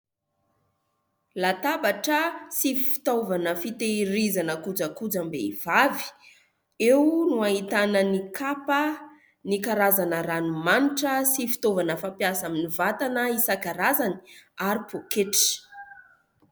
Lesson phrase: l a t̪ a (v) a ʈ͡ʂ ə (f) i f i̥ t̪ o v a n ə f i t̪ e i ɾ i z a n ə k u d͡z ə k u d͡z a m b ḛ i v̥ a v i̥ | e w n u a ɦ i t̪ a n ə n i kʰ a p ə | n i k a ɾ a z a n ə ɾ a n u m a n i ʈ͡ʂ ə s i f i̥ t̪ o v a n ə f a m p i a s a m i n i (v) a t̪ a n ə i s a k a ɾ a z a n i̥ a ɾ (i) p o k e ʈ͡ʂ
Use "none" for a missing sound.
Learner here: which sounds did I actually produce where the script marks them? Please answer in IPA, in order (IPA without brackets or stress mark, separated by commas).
b, s, v, i